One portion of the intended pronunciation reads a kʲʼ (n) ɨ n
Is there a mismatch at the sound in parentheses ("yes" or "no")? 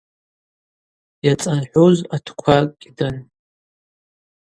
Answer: yes